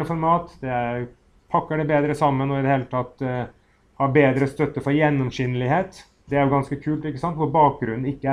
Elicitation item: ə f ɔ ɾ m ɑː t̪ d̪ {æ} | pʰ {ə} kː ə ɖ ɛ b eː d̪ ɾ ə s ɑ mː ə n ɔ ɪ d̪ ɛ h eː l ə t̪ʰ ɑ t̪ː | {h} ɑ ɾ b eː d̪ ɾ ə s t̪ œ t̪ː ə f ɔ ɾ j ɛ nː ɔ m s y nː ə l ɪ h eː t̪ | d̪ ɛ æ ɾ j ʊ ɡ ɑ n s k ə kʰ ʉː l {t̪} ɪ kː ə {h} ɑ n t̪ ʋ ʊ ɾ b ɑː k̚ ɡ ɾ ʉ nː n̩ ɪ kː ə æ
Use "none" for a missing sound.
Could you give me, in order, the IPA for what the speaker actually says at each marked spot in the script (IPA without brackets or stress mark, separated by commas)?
ɛ, ɑ, h, t̪, s